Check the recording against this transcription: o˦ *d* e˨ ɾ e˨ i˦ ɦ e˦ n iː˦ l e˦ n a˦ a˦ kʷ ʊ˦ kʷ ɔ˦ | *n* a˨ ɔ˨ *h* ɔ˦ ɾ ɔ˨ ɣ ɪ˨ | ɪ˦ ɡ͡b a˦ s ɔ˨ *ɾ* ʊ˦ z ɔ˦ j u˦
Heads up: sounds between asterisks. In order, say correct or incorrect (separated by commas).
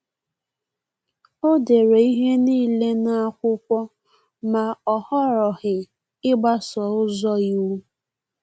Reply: correct, incorrect, correct, incorrect